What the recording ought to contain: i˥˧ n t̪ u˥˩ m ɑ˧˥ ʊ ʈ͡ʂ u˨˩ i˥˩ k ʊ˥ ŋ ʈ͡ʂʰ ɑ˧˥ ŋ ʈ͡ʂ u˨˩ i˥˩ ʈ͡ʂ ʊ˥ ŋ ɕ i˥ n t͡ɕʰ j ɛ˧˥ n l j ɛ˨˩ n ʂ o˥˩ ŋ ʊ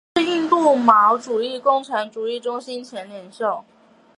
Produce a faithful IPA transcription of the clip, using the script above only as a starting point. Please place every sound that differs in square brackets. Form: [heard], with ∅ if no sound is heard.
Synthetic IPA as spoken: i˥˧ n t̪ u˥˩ m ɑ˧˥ ʊ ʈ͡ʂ u˨˩ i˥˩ k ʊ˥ ŋ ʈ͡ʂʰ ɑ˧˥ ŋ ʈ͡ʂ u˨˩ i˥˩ ʈ͡ʂ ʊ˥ ŋ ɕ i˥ n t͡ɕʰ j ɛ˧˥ n l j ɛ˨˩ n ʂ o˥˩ [∅] ʊ